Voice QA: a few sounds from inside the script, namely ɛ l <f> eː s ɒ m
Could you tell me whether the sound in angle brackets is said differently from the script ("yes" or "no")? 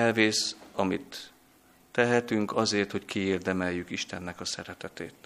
yes